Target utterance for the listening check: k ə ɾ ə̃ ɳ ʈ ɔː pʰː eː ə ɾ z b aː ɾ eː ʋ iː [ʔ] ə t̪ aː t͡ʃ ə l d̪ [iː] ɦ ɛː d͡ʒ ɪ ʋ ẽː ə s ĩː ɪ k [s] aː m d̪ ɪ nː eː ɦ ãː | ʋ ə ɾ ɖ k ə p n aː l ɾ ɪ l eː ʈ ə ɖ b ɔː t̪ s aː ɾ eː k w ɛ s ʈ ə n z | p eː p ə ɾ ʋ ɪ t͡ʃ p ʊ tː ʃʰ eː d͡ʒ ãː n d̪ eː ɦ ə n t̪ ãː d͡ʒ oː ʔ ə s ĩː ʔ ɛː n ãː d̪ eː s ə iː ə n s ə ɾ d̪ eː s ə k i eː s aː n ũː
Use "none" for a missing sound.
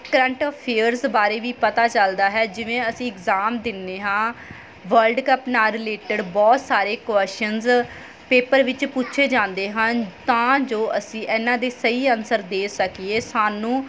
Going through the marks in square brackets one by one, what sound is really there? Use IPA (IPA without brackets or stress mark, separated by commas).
p, aː, z